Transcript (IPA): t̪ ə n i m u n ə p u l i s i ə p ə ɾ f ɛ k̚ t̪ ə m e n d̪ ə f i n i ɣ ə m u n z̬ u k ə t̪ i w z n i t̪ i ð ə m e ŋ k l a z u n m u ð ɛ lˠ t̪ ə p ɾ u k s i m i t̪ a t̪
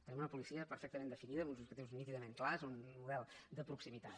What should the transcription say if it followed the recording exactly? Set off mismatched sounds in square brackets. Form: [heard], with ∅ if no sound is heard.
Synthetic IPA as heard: t̪ ə n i m u n ə p u l i s i ə p ə ɾ f ɛ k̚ t̪ ə m e n d̪ ə f i n i [ð] ə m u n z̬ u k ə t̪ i w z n i t̪ i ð ə m e ŋ k l a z u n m u ð ɛ lˠ [d̪] ə p ɾ u k s i m i t̪ a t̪